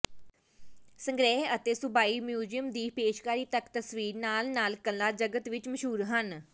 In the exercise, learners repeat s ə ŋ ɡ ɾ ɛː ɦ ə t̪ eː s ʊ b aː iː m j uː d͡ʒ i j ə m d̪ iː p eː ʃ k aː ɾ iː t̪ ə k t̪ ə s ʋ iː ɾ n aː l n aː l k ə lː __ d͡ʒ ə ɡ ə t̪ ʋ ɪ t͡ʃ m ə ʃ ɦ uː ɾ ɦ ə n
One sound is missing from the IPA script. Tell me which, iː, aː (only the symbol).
aː